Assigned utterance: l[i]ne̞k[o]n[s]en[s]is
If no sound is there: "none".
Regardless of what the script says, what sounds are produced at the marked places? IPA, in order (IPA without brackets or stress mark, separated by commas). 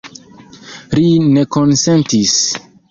i, o, s, t